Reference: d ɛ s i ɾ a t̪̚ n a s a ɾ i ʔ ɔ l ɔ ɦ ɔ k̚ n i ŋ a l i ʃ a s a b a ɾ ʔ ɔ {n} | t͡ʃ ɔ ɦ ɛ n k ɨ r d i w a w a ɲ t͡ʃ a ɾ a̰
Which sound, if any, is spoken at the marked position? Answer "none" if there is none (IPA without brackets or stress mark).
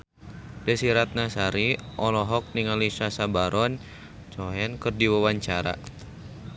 n